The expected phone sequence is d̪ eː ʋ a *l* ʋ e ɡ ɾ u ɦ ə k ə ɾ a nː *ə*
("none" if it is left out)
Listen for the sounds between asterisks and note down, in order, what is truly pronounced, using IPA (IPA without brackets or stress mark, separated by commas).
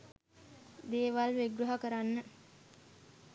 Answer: l, ə